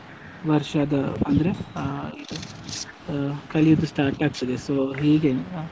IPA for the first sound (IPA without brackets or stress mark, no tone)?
ʋ